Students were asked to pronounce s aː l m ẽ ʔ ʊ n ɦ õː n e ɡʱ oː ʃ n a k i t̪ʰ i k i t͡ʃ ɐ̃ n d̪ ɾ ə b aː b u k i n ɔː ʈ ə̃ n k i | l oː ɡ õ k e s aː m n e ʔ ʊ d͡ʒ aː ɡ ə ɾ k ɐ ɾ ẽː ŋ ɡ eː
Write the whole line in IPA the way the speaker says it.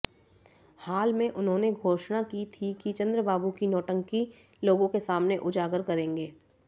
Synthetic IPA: h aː l m ẽ ʔ ʊ n ɦ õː n e ɡʱ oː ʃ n a k i t̪ʰ i k i t͡ʃ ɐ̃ n d̪ ɾ ə b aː b u k i n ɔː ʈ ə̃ ŋ k i | l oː ɡ õ k e s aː m n e ʔ ʊ d͡ʒ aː ɡ ə ɾ k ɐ ɾ ẽː ŋ ɡ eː